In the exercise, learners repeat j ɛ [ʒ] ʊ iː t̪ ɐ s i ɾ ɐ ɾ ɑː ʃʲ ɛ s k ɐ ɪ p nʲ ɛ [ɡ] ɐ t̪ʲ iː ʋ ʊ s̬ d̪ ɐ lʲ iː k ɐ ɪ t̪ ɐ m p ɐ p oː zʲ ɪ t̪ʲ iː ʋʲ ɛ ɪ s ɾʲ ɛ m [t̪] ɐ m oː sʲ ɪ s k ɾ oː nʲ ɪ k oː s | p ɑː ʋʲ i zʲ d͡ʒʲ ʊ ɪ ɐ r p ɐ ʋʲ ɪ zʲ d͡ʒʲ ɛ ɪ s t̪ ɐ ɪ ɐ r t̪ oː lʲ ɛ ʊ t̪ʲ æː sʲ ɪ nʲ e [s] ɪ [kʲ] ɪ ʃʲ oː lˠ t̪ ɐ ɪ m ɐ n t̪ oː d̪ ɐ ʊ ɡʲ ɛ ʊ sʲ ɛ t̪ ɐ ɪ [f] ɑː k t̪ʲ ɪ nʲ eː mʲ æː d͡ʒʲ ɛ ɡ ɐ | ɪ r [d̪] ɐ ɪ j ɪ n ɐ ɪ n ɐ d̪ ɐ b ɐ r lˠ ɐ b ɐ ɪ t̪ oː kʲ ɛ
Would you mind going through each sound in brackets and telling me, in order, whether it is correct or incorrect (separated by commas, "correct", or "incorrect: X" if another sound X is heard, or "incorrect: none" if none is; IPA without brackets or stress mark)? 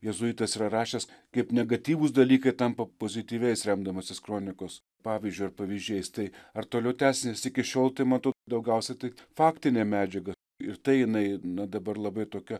incorrect: z, correct, incorrect: d̪, correct, correct, correct, incorrect: t̪